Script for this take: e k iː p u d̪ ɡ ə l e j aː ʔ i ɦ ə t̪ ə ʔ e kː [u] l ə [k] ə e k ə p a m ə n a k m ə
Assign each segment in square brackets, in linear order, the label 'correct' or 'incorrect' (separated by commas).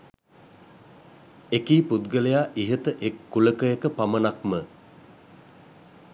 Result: correct, correct